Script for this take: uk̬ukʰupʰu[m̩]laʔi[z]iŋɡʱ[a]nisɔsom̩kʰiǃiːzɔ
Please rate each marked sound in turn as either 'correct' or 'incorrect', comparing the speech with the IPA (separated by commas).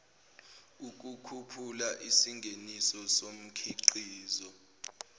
incorrect, incorrect, incorrect